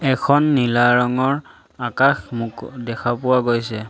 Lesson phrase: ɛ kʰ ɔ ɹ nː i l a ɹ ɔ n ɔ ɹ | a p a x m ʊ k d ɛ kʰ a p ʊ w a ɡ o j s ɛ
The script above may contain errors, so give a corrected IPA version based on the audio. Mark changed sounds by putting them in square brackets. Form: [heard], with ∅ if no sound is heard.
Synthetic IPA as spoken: ɛ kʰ ɔ [∅] nː i l a ɹ ɔ [ŋ] ɔ ɹ | a [k] a x m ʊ k d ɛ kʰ a p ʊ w a ɡ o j s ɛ